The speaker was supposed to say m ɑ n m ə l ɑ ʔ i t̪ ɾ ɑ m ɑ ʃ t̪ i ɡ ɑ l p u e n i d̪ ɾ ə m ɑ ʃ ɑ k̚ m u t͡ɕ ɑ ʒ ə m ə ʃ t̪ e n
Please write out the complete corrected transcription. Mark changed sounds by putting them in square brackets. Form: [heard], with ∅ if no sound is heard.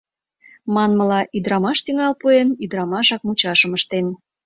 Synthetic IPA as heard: m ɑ n m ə l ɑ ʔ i [d̪] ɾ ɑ m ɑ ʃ t̪ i [ŋ] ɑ l p u e n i d̪ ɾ [ɑ] m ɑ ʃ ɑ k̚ m u t͡ɕ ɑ [ʃ] ə m ə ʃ t̪ e n